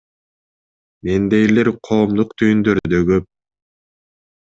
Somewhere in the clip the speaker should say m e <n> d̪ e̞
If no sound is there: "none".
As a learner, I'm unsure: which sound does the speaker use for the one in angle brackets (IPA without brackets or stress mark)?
n